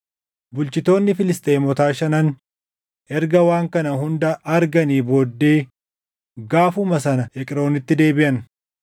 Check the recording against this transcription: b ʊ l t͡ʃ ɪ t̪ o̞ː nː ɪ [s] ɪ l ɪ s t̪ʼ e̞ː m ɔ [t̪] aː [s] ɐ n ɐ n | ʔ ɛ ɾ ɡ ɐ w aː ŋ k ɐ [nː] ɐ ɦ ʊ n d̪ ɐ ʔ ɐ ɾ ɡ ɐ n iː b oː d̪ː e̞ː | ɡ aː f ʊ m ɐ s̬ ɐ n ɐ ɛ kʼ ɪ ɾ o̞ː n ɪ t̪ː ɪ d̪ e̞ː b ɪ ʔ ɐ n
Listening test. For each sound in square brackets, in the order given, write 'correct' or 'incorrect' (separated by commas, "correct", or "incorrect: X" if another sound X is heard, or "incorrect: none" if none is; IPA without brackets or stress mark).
incorrect: f, correct, incorrect: ʃ, incorrect: n